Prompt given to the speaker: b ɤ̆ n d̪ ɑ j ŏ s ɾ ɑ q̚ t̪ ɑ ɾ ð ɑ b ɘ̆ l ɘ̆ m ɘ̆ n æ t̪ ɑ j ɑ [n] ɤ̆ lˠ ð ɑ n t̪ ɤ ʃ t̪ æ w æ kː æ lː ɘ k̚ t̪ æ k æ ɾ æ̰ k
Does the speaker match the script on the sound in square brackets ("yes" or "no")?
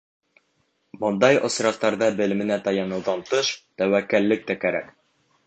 yes